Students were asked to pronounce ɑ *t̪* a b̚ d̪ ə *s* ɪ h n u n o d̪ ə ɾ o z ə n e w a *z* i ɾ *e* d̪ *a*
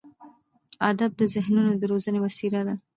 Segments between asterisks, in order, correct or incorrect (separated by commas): incorrect, incorrect, incorrect, incorrect, correct